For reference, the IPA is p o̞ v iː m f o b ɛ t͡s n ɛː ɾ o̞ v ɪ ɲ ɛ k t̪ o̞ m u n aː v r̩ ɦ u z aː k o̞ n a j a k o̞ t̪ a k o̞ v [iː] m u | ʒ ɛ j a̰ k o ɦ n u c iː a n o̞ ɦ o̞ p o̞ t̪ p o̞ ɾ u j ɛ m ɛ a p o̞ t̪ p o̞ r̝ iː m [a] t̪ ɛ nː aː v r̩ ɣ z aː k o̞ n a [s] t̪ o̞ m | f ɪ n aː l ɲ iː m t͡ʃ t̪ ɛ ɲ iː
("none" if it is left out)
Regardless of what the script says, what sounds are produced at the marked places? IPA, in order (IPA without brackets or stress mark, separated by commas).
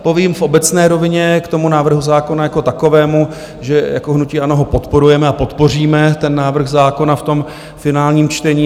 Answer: ɛː, ɛ, f